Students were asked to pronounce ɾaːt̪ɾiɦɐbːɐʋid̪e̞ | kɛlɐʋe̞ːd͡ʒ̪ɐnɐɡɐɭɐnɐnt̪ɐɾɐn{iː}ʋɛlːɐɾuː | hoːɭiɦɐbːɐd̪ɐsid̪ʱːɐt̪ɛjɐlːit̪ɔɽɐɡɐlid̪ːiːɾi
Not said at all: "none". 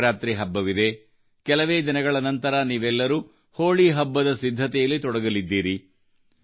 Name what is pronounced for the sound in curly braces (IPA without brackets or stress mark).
iː